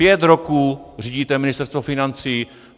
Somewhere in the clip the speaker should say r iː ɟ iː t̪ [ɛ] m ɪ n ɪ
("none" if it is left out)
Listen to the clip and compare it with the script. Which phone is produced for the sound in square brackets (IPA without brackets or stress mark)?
ɛ